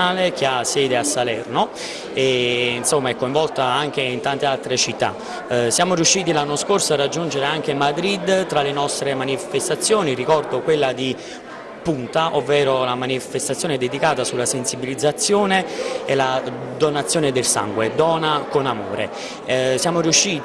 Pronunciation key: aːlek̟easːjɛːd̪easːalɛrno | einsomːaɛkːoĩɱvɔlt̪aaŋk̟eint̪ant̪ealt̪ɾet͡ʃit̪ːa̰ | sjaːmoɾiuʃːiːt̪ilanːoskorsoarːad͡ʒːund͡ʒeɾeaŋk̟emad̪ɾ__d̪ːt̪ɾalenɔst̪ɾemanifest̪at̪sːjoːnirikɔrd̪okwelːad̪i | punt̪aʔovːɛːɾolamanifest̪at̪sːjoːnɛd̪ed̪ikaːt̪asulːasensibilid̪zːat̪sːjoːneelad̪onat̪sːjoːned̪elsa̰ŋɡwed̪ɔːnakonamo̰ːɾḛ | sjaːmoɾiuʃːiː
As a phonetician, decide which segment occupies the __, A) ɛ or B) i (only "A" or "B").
B